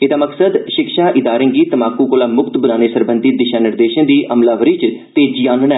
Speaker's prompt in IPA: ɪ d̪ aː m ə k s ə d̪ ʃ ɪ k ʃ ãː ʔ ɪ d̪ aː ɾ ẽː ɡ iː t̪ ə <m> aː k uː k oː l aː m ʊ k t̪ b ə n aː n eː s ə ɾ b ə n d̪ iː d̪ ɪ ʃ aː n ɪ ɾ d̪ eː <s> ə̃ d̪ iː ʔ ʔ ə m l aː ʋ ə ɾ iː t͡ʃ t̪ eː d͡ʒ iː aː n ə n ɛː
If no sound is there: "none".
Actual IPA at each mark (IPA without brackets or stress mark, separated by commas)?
m, ʃ